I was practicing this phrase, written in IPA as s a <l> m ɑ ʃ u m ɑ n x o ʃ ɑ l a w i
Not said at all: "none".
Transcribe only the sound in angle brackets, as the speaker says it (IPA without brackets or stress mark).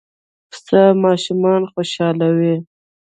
none